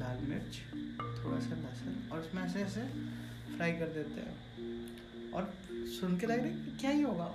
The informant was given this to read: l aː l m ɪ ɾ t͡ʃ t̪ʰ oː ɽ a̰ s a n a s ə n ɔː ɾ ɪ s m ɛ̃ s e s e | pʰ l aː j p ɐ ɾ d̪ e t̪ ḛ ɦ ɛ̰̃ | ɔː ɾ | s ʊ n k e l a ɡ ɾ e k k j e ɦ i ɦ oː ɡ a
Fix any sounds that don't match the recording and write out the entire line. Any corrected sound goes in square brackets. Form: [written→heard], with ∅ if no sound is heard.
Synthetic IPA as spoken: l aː l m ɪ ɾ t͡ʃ t̪ʰ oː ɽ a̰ s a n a s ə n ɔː ɾ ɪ s m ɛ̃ s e s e | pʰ [l→ɾ] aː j [p→k] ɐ ɾ d̪ e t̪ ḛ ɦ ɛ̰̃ | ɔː ɾ | s ʊ n k e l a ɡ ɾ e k k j [e→a] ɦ i ɦ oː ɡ a